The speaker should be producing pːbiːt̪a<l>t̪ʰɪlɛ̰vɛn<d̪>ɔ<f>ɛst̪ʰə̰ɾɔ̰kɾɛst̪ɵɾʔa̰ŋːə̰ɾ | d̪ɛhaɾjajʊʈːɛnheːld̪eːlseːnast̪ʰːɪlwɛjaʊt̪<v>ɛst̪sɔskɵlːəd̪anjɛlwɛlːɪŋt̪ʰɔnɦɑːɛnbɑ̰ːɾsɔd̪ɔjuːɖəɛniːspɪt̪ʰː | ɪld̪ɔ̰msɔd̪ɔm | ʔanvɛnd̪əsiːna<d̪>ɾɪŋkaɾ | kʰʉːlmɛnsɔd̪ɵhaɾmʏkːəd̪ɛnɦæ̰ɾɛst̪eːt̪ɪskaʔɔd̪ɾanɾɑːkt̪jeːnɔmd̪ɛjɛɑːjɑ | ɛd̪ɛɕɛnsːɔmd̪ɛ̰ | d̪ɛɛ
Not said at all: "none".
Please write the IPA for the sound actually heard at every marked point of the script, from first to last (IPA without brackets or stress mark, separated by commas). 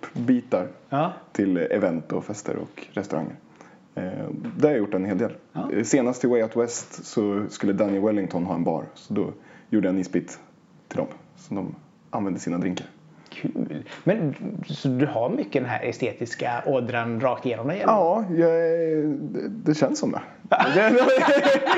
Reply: ɾ, t̪, f, w, d̪